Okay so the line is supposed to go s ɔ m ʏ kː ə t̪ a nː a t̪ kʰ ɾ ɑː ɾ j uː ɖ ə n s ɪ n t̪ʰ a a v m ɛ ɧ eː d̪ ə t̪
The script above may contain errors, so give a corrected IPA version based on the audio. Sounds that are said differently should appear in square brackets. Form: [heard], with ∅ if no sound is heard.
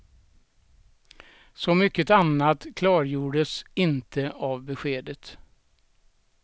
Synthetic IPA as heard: s ɔ m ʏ kː ə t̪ a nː a t̪ kʰ [l] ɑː ɾ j uː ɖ ə [∅] s ɪ n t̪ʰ [ə] a v [b] ɛ ɧ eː d̪ ə t̪